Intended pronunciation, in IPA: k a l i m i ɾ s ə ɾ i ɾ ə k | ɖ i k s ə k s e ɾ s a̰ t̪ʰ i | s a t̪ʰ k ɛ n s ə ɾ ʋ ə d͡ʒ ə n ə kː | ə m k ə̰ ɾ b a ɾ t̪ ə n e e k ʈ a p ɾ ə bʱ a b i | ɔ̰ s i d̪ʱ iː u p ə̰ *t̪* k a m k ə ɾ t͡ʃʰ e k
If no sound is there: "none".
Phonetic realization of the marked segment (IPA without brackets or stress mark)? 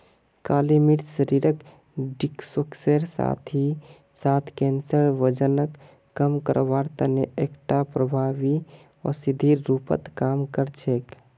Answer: t̪